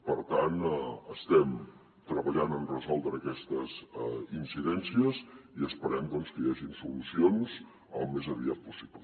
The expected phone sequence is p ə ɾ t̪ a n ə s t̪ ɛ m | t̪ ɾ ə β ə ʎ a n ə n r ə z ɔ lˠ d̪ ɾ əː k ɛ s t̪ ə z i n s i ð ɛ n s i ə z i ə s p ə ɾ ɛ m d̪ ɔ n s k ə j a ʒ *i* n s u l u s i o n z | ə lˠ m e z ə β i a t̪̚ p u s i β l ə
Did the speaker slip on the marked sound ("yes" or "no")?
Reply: no